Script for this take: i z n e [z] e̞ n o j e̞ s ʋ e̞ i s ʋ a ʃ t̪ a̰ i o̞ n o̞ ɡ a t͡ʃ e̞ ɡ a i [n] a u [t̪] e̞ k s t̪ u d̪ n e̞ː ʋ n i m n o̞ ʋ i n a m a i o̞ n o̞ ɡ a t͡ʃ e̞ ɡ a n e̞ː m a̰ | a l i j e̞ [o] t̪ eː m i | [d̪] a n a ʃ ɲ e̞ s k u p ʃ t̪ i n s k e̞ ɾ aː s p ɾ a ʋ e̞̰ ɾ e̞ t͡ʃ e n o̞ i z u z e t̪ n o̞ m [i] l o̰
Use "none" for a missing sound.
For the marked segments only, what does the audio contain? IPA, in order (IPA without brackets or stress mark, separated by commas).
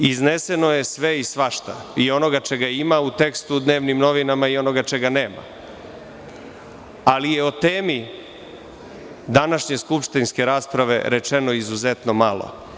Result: s, m, t̪, o, d̪, a